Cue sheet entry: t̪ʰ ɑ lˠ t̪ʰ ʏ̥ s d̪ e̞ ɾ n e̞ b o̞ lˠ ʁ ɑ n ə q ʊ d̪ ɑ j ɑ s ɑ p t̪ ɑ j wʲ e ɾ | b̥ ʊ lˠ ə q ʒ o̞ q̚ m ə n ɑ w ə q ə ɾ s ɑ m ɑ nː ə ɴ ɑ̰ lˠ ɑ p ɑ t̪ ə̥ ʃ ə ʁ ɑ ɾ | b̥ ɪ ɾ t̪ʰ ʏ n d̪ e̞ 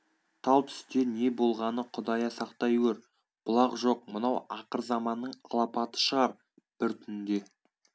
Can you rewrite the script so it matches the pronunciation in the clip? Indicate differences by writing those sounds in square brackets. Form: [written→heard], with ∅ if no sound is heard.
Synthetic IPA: t̪ʰ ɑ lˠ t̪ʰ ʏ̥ s [d̪→t̪] e̞ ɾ n e̞ b o̞ lˠ ʁ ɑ n ə [q→qʰ] ʊ d̪ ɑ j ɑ s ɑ [p→q] t̪ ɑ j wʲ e ɾ | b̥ ʊ lˠ [ə→ɑ] q ʒ o̞ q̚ m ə n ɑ w [ə→ɑ] q ə ɾ [s→z] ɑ m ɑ nː ə ɴ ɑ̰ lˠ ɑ p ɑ t̪ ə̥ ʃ ə ʁ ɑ ɾ | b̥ ɪ ɾ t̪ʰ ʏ n d̪ e̞